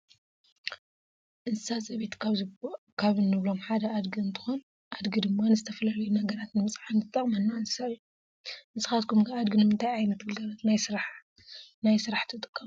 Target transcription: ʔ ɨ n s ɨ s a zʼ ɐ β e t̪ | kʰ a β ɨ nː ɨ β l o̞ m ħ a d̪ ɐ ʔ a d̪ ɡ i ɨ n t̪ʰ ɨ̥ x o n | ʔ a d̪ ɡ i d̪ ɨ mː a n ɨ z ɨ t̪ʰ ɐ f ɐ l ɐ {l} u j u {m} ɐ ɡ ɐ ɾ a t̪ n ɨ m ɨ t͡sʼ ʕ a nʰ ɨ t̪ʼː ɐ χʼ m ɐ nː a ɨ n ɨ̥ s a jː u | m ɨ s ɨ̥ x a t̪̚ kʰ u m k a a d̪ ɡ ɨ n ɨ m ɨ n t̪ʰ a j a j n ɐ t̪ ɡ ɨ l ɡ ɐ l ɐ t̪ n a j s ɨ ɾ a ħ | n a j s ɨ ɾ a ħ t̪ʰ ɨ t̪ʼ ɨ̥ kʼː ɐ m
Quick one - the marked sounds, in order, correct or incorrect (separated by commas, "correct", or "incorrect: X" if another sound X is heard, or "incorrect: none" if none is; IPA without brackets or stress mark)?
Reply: correct, incorrect: n